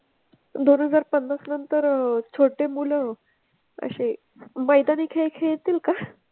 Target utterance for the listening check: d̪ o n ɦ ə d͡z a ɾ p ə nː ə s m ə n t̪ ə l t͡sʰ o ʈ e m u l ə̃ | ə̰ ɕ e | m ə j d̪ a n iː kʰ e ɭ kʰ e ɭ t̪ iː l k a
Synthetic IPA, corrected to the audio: d̪ o n ɦ ə d͡z a ɾ p ə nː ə s n ə n t̪ ə ɾ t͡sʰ o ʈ e m u l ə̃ | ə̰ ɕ e | m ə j d̪ a n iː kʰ e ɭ kʰ e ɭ t̪ iː l k a